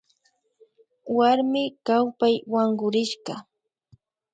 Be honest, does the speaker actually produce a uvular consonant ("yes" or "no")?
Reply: yes